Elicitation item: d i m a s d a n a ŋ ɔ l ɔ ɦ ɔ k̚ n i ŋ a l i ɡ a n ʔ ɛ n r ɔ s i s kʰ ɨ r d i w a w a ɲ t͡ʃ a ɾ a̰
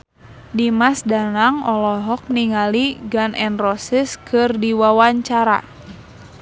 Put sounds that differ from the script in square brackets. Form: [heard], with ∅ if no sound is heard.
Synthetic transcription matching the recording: d i m a s d a n a ŋ ɔ l ɔ ɦ ɔ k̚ n i ŋ a l i ɡ a n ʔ ɛ n r ɔ s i s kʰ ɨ r d i w a w a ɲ t͡ʃ a ɾ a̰